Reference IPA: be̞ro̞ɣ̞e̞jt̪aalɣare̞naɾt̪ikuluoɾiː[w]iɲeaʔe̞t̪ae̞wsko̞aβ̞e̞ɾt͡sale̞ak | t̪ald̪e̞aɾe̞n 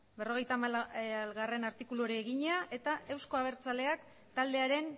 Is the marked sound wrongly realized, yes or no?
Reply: yes